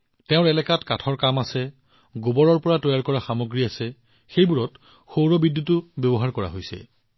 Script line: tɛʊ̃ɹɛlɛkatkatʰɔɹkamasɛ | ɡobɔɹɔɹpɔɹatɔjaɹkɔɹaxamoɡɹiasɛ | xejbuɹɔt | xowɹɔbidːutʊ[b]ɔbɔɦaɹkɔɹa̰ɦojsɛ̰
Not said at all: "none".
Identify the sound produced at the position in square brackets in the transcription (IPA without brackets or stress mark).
b